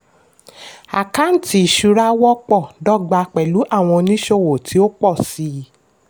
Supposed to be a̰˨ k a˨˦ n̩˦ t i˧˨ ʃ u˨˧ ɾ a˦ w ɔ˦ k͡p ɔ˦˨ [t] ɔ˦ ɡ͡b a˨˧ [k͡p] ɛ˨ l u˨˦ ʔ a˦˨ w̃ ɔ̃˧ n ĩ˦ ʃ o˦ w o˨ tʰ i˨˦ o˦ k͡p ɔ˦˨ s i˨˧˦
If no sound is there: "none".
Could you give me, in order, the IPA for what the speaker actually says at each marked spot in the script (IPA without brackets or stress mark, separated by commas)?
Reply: d, k͡p